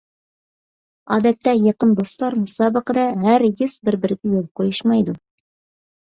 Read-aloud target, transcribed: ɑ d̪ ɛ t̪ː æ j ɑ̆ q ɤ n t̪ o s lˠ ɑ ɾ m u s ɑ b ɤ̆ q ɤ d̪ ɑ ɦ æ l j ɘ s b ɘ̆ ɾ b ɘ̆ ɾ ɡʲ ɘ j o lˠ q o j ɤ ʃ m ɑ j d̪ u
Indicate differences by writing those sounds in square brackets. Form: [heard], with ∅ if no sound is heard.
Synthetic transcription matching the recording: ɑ d̪ [æ] t̪ː æ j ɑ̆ q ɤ n [d̪] o s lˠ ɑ ɾ m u s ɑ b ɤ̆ q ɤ d̪ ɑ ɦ æ [ɾ] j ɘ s b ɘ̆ ɾ b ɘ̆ ɾ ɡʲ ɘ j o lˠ q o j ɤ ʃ m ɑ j d̪ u